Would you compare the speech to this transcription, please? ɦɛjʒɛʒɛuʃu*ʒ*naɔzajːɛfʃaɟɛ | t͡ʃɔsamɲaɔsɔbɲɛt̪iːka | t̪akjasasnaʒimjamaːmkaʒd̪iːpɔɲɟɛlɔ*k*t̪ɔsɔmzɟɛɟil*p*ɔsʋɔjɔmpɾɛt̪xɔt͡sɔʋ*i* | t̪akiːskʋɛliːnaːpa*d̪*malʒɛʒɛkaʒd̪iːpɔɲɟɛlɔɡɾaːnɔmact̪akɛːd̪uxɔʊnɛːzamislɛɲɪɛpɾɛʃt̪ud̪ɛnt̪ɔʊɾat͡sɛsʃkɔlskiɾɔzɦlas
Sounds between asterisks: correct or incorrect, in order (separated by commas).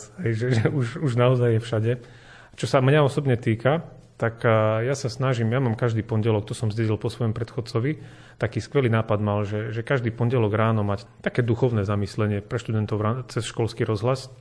correct, correct, correct, correct, correct